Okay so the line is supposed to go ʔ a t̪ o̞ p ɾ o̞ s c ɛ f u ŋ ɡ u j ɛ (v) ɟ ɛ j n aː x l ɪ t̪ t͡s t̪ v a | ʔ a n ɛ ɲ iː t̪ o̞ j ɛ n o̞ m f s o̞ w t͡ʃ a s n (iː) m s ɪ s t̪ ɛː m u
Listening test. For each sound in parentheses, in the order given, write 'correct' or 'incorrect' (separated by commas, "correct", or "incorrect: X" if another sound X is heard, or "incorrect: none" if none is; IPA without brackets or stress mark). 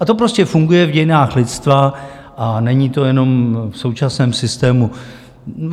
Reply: correct, incorrect: ɛː